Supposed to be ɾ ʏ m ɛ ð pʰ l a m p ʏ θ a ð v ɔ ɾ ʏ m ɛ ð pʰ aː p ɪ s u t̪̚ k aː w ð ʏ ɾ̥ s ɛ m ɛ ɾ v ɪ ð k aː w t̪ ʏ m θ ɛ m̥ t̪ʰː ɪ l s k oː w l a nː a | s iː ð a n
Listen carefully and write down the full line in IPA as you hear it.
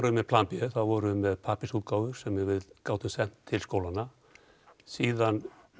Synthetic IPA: ɾ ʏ m ɛ ð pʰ l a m p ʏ θ a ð v ɔ ɾ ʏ m ɛ ð pʰ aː p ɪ s u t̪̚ k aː w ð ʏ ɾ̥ s ɛ m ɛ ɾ v ɪ ð k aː w t̪ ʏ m s ɛ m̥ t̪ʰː ɪ l s k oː w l a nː a | s iː ð a n